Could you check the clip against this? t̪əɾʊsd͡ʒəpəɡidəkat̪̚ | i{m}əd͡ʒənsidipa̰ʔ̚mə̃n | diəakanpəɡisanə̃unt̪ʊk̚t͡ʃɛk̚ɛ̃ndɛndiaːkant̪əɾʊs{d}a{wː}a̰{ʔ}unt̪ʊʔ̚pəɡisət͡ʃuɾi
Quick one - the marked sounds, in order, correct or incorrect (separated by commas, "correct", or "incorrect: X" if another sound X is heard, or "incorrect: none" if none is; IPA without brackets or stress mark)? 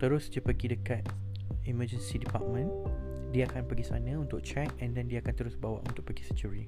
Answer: correct, incorrect: b, incorrect: w, correct